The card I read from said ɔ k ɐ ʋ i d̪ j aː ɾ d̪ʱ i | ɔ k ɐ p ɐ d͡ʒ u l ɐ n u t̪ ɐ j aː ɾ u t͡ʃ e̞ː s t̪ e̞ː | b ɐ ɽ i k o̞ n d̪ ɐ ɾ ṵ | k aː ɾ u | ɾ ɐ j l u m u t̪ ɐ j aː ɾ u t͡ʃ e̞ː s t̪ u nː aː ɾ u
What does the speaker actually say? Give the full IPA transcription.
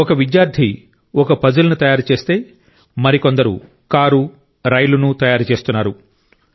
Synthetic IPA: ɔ k ɐ ʋ i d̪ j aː ɾ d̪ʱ i | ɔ k ɐ p ɐ d͡ʒ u l ɐ n u t̪ ɐ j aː ɾ u t͡ʃ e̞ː s t̪ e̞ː | m ɐ ɾ i k o̞ n d̪ ɐ ɾ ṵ | k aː ɾ u | ɾ ɐ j l u n u t̪ ɐ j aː ɾ u t͡ʃ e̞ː s t̪ u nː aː ɾ u